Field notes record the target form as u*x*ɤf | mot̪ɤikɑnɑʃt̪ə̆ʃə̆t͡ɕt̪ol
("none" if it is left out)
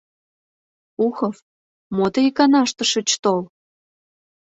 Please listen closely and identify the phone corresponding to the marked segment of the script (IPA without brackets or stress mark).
x